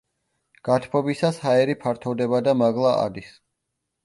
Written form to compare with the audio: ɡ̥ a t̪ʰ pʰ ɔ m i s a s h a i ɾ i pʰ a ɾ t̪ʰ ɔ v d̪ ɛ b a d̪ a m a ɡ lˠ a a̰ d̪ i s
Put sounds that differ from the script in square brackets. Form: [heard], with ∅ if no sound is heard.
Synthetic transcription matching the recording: ɡ̥ a t̪ʰ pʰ ɔ [b] i s a s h a [ɛ] ɾ i pʰ a ɾ t̪ʰ ɔ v d̪ ɛ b a d̪ a m a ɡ lˠ a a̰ d̪ i s